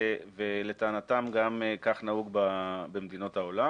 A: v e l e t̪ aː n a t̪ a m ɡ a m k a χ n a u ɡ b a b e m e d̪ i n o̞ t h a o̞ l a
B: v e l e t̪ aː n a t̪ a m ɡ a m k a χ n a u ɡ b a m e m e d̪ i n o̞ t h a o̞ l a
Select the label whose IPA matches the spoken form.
A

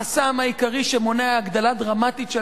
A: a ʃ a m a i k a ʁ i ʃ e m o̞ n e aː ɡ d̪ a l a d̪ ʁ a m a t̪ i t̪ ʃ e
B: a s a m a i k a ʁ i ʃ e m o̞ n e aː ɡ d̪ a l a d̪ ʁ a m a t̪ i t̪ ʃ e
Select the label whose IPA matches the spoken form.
B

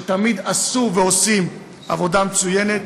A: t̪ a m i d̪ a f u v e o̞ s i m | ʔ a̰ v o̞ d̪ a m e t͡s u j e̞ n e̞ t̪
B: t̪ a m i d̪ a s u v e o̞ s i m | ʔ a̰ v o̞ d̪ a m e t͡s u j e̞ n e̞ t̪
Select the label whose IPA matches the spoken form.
B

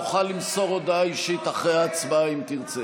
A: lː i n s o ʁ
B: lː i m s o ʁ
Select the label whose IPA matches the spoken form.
B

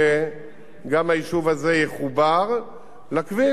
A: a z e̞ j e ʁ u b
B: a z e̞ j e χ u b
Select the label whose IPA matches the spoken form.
B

